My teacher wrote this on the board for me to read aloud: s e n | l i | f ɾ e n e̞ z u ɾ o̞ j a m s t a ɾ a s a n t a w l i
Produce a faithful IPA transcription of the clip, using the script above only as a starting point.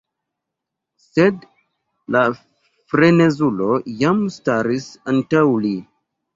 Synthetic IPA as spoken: s e d | l a | f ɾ e n e̞ z u l o̞ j a m s t a ɾ i s a n t a w l i